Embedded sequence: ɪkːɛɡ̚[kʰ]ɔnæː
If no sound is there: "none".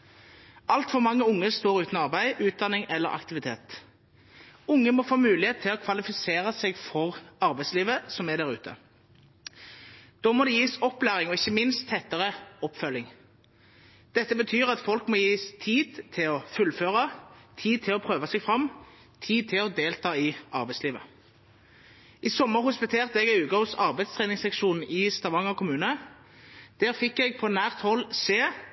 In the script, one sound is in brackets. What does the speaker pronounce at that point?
pʰ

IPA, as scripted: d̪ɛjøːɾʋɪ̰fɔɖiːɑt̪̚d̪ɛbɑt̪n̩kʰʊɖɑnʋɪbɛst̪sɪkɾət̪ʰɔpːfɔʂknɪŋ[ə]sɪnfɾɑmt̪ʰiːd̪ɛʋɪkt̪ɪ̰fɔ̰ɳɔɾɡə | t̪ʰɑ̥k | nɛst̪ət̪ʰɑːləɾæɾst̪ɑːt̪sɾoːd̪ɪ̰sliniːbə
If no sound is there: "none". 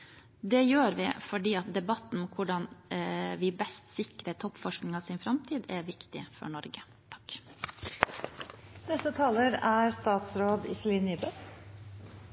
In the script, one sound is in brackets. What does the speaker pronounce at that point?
ɑ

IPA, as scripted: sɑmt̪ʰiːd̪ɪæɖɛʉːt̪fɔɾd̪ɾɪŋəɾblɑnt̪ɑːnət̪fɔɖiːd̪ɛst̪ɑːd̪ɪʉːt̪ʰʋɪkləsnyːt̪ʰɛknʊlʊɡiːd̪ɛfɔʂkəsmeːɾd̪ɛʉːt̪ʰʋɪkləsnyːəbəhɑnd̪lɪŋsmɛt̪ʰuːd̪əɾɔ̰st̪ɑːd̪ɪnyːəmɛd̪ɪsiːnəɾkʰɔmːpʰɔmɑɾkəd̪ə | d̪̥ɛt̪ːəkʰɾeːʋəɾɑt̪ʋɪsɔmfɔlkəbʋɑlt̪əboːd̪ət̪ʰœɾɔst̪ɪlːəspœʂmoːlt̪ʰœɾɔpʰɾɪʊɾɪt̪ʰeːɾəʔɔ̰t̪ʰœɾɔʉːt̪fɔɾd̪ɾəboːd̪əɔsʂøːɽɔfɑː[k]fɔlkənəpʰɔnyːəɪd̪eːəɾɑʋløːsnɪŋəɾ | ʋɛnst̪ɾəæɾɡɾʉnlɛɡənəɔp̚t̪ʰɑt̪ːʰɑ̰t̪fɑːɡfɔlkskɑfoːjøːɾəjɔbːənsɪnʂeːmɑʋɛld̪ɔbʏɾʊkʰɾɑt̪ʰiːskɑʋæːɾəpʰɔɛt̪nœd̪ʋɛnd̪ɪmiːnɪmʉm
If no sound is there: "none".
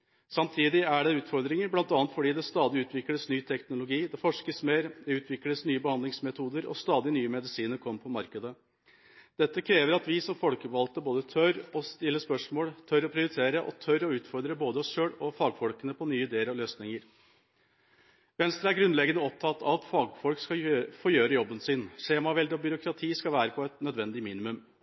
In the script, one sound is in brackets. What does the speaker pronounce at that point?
ɡ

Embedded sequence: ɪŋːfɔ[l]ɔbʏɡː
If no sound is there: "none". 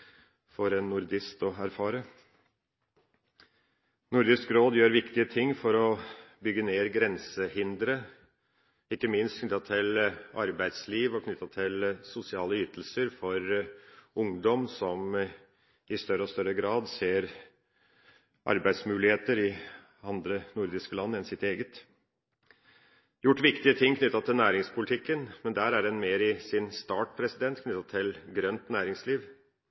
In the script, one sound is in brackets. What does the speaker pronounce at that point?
ɾ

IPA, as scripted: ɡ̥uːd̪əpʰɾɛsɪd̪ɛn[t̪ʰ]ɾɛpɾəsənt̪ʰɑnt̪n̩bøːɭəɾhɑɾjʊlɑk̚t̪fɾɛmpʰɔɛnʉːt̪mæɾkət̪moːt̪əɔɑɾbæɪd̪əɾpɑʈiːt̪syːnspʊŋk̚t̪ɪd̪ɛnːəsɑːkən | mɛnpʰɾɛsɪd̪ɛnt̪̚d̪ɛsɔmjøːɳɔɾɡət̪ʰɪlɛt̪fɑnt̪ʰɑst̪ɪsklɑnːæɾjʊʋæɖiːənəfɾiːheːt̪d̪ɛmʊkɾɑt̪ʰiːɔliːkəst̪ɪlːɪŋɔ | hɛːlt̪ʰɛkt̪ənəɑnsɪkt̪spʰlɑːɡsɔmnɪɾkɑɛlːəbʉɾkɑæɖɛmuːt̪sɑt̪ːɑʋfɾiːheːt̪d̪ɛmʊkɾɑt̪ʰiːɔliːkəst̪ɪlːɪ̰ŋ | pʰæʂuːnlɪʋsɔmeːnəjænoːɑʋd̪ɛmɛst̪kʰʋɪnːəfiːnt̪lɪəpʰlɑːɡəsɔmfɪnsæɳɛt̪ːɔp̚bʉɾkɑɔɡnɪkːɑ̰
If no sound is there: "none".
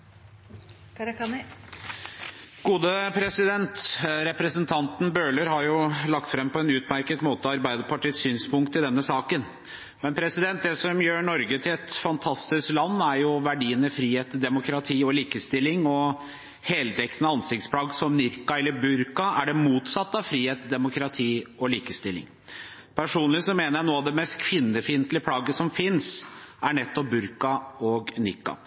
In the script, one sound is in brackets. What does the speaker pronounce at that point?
t̪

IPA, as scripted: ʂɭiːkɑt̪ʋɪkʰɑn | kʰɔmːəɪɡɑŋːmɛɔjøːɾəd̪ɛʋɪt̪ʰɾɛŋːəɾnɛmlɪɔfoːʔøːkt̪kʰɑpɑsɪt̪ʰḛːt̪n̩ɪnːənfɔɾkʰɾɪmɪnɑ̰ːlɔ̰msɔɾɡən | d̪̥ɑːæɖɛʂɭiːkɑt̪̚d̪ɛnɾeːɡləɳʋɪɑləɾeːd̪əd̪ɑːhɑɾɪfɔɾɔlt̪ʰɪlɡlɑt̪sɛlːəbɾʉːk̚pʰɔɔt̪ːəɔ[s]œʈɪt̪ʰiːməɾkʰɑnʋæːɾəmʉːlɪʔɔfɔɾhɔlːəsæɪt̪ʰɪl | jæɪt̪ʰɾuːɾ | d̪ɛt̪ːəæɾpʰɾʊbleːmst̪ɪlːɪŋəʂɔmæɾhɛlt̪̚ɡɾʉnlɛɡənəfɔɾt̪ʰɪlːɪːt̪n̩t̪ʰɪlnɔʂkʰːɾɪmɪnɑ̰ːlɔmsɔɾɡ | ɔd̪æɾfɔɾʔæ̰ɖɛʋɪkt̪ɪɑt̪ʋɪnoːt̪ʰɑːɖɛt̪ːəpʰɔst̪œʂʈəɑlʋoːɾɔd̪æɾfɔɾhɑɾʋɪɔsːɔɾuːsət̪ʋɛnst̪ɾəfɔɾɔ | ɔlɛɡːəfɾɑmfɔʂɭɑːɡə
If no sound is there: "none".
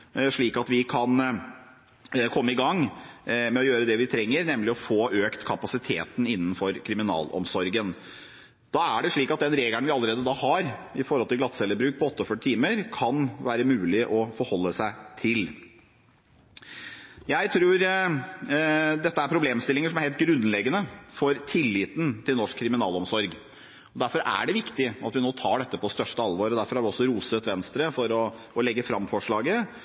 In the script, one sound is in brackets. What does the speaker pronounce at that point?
f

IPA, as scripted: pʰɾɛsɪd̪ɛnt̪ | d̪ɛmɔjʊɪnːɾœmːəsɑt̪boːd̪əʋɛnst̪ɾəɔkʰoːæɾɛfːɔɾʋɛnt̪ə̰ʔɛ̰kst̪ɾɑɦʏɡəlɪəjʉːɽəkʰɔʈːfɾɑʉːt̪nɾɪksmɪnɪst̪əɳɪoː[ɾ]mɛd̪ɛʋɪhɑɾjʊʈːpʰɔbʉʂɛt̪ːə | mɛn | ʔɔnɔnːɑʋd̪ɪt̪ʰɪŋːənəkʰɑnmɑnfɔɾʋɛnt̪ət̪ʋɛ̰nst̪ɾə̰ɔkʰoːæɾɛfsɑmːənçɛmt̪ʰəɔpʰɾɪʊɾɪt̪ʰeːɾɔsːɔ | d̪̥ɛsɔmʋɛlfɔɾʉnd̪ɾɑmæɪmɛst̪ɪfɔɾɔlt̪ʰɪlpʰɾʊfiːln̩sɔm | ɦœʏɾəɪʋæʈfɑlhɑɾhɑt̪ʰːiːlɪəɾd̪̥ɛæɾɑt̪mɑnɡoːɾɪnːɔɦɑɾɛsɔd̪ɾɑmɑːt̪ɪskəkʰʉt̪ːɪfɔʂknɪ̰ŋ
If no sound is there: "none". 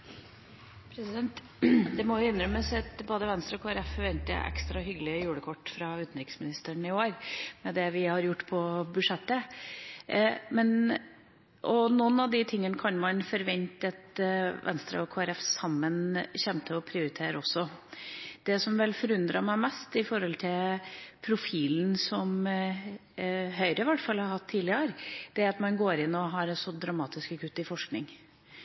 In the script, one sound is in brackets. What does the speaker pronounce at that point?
ɾ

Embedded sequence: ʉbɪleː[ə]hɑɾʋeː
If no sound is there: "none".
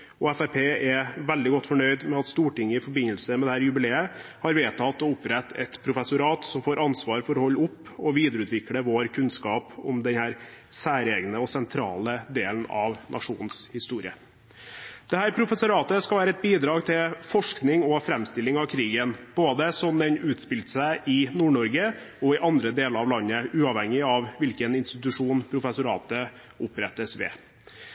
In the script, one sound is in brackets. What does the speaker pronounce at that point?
ə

